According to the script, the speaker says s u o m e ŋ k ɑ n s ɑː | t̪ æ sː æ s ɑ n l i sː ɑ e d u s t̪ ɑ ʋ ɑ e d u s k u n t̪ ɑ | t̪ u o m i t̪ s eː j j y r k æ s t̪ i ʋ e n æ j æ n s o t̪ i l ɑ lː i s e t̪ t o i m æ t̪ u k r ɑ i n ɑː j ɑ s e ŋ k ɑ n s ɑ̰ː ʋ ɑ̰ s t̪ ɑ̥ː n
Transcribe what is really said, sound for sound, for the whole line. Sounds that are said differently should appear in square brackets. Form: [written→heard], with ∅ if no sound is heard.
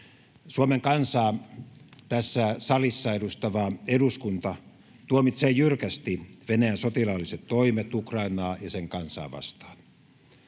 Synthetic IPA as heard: s u o m e ŋ k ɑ n s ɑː | t̪ æ sː æ s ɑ [n→∅] l i sː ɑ e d u s t̪ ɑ ʋ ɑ e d u s k u n t̪ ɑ | t̪ u o m i t̪ s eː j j y r k æ s t̪ i ʋ e n æ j æ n s o t̪ i l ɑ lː i s e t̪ t o i m [æ→e] t̪ u k r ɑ i n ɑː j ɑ s e ŋ k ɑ n s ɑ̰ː ʋ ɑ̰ s t̪ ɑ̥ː n